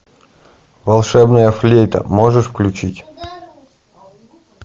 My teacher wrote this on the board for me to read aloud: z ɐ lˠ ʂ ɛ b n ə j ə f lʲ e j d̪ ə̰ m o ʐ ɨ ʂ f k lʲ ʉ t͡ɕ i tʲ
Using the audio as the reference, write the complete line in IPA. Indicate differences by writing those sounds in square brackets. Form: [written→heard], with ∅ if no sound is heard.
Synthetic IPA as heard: [z→v] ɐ lˠ ʂ ɛ b n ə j ə f lʲ e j [d̪→t̪] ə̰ m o ʐ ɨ ʂ f k lʲ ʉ t͡ɕ i tʲ